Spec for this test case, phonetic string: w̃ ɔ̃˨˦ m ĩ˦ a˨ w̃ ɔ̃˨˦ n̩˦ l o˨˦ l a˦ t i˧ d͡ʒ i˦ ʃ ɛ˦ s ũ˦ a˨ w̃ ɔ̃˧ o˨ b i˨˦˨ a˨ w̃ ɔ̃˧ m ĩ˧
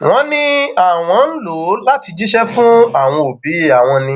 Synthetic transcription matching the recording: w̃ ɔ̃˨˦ n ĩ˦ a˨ w̃ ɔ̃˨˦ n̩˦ l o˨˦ l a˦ t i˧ d͡ʒ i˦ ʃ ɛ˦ f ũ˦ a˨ w̃ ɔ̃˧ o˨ b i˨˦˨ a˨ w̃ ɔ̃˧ n ĩ˧